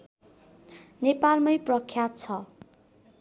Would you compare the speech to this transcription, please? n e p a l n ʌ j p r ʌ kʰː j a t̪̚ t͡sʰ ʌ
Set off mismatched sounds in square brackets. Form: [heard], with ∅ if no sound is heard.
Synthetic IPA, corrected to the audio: n e p a l [m] ʌ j p r ʌ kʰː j a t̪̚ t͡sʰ ʌ